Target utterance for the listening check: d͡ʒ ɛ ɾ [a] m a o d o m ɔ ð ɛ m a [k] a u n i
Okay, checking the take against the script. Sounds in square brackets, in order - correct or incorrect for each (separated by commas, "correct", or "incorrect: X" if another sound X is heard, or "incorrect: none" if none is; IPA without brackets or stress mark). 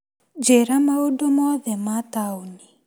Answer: correct, incorrect: t